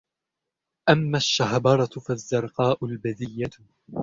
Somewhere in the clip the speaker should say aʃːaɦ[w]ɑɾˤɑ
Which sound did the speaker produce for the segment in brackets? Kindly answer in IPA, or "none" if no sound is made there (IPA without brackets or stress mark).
b